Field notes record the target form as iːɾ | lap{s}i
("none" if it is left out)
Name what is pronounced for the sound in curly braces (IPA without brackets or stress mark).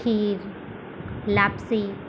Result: s